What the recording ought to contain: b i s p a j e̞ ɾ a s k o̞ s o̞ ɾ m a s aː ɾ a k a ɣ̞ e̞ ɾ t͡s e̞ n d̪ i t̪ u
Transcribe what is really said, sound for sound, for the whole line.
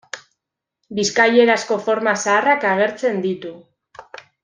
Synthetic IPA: b i s k a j e̞ ɾ a s k o̞ f o̞ ɾ m a s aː r a k a ɣ̞ e̞ ɾ t͡s e̞ n d̪ i t̪ u